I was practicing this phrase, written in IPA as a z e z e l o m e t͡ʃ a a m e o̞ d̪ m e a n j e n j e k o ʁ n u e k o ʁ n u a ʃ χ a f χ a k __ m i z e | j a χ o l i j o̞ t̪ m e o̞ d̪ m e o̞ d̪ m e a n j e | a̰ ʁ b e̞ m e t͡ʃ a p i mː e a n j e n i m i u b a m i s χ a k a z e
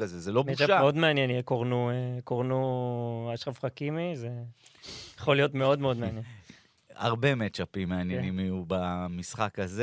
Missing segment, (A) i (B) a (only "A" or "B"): A